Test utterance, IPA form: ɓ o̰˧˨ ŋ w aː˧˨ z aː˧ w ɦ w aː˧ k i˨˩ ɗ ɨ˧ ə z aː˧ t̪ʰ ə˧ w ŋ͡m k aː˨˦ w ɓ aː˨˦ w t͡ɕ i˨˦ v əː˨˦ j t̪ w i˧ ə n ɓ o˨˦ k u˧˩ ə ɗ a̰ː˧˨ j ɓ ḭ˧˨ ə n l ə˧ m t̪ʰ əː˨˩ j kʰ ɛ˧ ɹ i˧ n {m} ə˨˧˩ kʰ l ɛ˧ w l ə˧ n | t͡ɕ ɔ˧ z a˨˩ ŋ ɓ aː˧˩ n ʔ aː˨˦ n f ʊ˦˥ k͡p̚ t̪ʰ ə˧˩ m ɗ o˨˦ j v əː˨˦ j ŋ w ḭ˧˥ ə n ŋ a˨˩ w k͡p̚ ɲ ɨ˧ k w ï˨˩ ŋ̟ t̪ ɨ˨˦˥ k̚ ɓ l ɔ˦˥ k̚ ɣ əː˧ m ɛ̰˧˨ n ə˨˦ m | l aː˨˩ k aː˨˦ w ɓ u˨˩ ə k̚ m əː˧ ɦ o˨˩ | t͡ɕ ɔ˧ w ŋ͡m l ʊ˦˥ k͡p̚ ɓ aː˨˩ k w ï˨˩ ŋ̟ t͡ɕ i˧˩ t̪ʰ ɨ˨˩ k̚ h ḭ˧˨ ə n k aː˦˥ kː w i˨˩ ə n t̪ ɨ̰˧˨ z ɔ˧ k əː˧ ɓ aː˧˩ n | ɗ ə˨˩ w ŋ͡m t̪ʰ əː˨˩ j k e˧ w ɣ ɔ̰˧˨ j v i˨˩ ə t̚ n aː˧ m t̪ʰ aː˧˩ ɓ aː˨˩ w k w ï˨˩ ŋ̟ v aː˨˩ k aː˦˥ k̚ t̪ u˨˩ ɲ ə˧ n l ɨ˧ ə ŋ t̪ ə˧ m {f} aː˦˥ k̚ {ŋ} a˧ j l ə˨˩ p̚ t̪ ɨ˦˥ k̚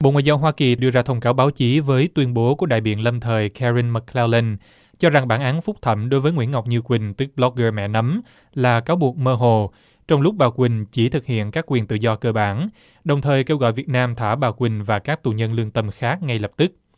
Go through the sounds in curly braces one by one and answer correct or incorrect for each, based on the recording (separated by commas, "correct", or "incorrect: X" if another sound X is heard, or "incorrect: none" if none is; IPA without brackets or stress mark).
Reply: correct, incorrect: x, correct